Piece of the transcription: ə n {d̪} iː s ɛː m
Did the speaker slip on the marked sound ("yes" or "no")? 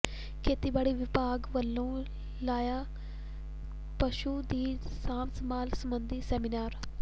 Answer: no